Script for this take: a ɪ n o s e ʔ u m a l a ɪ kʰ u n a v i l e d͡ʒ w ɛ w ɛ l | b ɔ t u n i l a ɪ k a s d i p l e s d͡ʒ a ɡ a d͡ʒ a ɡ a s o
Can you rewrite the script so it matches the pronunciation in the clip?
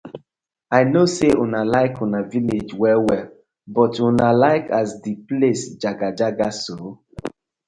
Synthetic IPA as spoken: a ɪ n o s e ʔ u n a l a ɪ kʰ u n a v i l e d͡ʒ w ɛ w ɛ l | b ɔ t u n a l a ɪ k a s d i p l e s d͡ʒ a ɡ a d͡ʒ a ɡ a s o